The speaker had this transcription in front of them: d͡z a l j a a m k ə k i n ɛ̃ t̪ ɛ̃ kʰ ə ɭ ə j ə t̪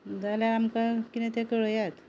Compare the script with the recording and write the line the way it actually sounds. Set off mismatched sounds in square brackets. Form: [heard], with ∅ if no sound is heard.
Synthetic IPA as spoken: d͡z a l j a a m k [a] k i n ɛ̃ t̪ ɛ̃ [k] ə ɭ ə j [a] t̪